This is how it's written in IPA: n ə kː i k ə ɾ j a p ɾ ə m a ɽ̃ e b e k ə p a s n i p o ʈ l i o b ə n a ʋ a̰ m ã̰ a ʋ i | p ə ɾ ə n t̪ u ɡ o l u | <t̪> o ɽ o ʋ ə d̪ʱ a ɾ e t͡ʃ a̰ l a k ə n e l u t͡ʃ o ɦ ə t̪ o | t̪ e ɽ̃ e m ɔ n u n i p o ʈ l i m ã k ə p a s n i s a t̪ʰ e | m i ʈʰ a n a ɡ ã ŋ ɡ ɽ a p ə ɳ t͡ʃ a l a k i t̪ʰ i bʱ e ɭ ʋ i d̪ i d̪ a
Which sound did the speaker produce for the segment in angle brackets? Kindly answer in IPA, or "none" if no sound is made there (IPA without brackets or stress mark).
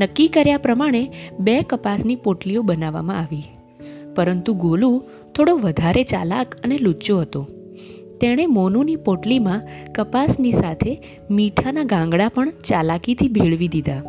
t̪ʰ